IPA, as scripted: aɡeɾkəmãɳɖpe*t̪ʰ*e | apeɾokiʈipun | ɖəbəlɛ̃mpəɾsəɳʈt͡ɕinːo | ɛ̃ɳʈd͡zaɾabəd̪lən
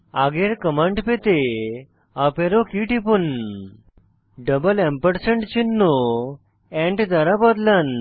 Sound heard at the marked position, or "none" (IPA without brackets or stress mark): t̪